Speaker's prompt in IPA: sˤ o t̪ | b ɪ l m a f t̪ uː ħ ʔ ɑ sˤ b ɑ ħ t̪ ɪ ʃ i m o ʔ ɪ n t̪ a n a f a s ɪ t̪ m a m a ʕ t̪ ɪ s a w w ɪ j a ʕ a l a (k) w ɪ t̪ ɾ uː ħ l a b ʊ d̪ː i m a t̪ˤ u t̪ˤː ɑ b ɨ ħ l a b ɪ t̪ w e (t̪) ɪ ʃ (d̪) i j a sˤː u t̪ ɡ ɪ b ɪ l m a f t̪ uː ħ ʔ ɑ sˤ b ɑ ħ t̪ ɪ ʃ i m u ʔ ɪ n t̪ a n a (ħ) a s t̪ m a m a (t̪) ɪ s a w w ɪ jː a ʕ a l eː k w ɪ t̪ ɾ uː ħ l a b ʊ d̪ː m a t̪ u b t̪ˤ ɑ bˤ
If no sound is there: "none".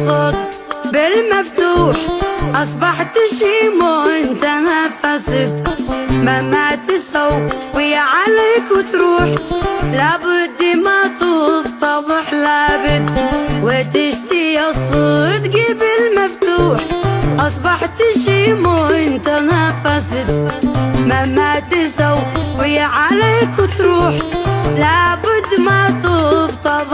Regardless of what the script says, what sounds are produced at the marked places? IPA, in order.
k, t̪, t̪, f, t̪

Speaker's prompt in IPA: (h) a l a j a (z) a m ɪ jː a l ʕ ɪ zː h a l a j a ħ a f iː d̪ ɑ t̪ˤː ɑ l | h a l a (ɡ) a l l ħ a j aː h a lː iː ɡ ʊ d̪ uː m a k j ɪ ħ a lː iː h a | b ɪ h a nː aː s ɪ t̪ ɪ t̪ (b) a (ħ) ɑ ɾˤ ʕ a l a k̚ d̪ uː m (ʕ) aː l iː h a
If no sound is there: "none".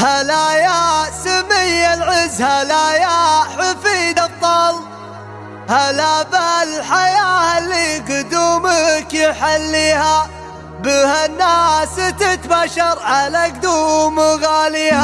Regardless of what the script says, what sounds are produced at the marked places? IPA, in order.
h, s, b, b, ʃ, ɣ

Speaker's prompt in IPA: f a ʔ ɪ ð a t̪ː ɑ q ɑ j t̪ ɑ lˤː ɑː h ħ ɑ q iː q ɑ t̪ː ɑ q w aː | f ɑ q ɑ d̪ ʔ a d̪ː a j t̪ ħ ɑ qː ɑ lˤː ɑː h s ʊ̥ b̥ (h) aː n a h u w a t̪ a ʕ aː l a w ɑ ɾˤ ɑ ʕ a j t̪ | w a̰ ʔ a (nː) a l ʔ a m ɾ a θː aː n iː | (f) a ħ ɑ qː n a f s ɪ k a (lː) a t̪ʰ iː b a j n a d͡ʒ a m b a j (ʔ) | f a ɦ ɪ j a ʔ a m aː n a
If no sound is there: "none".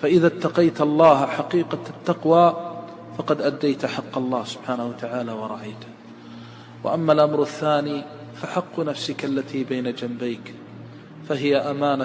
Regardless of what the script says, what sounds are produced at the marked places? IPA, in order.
ħ, mː, f, lː, k

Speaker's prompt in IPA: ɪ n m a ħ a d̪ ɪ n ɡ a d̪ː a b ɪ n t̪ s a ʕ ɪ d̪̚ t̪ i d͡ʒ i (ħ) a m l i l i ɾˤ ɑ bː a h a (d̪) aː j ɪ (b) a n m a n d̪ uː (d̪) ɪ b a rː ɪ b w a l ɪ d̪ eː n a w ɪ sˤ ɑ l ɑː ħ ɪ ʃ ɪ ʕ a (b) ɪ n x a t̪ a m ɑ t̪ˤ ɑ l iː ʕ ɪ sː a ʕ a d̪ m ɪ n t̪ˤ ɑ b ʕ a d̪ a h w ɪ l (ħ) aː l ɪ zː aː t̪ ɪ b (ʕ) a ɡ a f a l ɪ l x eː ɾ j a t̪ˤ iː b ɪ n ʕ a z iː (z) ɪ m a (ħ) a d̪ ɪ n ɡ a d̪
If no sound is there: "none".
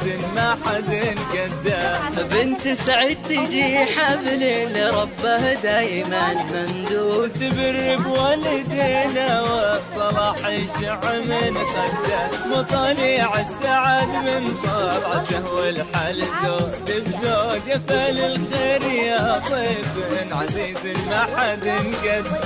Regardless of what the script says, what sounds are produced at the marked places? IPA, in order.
ħ, d̪, m, t̪, m, ħ, z, z, ħ

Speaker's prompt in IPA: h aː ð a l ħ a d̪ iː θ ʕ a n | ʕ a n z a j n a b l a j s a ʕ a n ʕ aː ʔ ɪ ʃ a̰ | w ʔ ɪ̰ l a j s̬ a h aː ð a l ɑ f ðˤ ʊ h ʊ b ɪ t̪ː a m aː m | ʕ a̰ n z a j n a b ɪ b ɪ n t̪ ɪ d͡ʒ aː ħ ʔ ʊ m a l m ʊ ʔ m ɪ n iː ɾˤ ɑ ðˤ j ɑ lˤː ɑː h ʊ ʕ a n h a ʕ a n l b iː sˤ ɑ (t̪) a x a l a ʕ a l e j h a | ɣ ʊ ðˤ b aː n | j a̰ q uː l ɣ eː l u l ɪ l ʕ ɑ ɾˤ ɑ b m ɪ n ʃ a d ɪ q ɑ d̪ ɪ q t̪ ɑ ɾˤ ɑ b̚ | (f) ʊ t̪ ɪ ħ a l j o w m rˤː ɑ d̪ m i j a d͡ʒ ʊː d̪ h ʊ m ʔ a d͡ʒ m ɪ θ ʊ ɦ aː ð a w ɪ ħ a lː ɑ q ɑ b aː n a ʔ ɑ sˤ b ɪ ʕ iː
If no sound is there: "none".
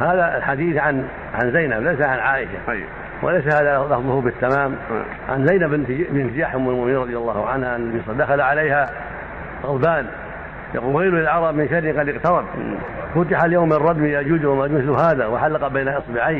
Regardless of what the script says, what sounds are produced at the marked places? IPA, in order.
d̪, f

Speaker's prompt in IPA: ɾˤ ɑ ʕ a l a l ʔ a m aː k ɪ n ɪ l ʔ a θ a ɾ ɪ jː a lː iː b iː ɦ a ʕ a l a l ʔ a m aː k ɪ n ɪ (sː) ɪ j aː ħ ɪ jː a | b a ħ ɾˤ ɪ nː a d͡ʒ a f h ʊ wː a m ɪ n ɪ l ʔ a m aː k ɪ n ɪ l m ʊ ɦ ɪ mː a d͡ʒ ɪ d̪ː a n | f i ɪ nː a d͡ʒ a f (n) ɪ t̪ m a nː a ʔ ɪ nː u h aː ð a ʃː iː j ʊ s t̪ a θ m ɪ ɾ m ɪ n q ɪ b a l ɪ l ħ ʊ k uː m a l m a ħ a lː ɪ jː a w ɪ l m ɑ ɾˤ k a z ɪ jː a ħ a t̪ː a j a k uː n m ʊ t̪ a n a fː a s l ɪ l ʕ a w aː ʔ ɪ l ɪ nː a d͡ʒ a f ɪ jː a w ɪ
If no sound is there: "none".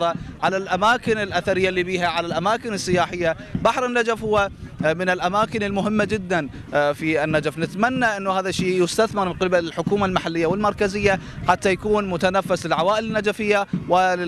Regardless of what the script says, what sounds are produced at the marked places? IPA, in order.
sː, n

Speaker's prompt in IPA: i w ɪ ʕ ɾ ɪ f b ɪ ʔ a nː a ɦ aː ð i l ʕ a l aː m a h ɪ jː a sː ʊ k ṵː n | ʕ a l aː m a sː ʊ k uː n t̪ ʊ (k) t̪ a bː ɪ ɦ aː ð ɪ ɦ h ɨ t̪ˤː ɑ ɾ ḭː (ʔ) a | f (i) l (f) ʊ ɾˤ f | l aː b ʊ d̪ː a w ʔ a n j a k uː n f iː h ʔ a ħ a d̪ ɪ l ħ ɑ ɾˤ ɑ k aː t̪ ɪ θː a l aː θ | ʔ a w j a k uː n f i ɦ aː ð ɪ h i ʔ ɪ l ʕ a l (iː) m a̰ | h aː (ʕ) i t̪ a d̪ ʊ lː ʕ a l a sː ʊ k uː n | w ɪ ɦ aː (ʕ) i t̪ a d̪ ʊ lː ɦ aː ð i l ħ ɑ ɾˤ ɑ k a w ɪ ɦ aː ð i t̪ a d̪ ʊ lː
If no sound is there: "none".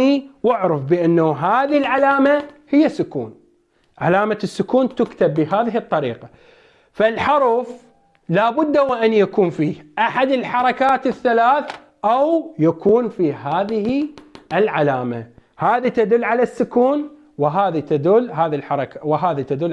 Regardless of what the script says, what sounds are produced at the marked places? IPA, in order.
k, q, a, ħ, aː, ð, ð

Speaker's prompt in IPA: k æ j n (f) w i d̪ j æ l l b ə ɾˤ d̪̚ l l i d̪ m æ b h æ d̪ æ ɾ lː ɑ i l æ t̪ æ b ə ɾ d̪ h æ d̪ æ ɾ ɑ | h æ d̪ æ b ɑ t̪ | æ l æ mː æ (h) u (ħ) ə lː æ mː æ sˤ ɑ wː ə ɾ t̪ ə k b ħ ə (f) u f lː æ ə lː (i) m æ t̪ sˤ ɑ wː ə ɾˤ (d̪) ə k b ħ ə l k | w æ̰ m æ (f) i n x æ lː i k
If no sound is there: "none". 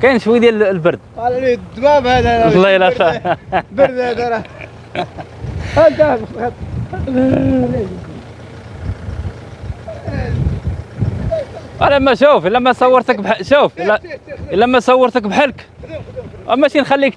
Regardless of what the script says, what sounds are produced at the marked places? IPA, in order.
ʃ, ʃ, f, ʃ, æ, t̪, ʃ

